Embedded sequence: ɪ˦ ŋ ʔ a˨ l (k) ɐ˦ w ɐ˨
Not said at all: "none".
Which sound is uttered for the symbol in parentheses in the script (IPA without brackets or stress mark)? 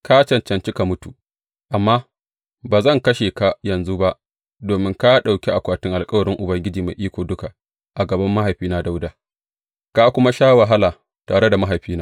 kʼ